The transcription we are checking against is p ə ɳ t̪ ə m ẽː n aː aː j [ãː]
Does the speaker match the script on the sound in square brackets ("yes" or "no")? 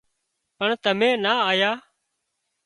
no